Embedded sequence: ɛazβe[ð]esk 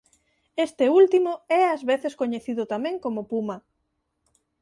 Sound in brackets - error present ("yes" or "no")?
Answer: yes